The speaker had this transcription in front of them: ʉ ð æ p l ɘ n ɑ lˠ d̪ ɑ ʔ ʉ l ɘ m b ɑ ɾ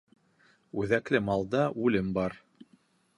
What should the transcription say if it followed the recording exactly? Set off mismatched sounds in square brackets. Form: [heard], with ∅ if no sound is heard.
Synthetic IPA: ʉ ð æ [k] l ɘ [m] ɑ lˠ d̪ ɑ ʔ ʉ l ɘ m b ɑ ɾ

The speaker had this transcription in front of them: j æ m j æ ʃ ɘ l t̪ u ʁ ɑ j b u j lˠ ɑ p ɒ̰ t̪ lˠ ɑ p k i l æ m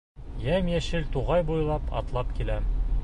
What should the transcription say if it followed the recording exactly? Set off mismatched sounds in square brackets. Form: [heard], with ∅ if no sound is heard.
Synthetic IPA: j æ m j æ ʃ ɘ l t̪ u ʁ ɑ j b u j lˠ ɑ p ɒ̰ t̪ lˠ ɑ p k i l æ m

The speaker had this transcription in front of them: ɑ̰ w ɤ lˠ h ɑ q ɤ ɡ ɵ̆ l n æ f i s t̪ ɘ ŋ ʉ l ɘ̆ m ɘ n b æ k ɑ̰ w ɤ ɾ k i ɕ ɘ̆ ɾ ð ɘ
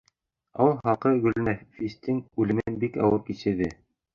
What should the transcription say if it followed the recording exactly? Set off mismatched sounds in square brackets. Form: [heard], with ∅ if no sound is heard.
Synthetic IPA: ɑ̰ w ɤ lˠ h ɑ q ɤ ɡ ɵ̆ l n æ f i s t̪ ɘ ŋ ʉ l ɘ̆ m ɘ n b [i] k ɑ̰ w ɤ ɾ k i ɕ ɘ̆ ɾ ð ɘ

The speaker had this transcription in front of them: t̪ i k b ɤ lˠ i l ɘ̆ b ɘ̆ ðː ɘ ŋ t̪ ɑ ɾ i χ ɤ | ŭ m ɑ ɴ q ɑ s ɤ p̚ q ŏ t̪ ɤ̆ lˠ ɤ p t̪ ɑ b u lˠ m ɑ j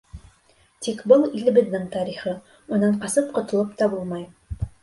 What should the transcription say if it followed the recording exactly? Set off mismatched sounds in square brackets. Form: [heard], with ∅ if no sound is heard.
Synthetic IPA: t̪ i k b ɤ lˠ i l ɘ̆ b ɘ̆ ðː ɘ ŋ t̪ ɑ ɾ i χ ɤ | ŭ [n] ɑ ɴ q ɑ s ɤ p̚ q ŏ t̪ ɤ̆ lˠ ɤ p t̪ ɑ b u lˠ m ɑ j

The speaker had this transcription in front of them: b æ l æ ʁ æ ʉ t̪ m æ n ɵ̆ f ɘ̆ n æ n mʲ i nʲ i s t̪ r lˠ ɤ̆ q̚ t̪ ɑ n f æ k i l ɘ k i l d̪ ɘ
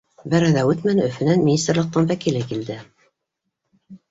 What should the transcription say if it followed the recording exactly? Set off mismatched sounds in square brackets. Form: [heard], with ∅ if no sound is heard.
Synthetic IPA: b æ [ɾ] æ [ð] æ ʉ t̪ m æ n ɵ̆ f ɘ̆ n æ n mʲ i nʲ i s t̪ r lˠ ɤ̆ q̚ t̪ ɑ n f æ k i l ɘ k i l d̪ ɘ

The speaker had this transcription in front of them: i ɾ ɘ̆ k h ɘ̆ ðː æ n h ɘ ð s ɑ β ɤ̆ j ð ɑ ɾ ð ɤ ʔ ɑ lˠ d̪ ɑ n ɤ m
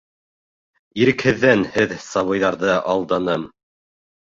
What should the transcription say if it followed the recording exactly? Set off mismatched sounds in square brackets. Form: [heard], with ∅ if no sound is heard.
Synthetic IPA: i ɾ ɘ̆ k h ɘ̆ ðː æ n h ɘ ð s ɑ β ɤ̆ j ð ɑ ɾ ð ɤ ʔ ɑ lˠ d̪ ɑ n ɤ m

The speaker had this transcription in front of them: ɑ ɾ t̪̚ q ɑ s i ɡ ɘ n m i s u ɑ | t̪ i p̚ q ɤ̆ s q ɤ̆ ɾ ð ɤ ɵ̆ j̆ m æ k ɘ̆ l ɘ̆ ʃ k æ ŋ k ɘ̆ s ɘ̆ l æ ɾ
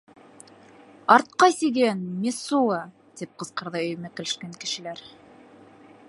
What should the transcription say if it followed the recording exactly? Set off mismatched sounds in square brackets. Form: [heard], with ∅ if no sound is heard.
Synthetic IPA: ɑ ɾ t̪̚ q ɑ s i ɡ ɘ n m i s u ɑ | t̪ i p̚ q ɤ̆ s q ɤ̆ ɾ ð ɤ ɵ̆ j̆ m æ k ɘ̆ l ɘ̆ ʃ k æ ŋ k ɘ̆ [ʃ] ɘ̆ l æ ɾ

